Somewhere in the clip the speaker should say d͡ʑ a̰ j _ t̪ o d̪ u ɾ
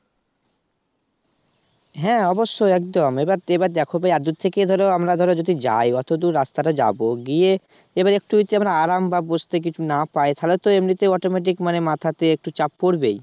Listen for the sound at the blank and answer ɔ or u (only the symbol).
ɔ